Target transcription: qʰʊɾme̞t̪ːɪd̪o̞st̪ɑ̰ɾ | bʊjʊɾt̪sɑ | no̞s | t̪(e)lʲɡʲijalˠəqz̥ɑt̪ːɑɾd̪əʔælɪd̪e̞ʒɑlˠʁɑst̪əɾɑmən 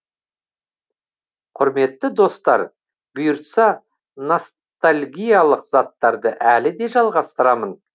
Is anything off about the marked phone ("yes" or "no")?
yes